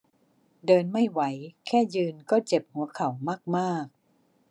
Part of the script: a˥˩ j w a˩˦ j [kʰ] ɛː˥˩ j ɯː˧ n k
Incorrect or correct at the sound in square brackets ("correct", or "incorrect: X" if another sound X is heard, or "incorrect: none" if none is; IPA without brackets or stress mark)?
correct